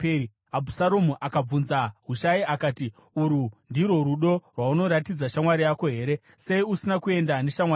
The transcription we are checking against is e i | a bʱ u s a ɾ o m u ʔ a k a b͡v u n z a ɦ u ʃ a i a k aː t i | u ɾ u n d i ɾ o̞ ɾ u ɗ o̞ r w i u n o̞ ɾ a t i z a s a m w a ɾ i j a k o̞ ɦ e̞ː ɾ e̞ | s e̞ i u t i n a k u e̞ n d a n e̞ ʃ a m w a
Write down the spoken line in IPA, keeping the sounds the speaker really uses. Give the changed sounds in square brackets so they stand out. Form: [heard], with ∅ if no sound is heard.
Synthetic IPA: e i | a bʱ u s a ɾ o m u ʔ a k a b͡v u n z a ɦ u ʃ a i a k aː t i | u ɾ u n d i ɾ o̞ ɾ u ɗ o̞ r w [a] u n o̞ ɾ a t i [d͡z] a [ʃ] a m w a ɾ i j a k o̞ ɦ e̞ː ɾ e̞ | s e̞ i u [s] i n a k u e̞ n d a n e̞ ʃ a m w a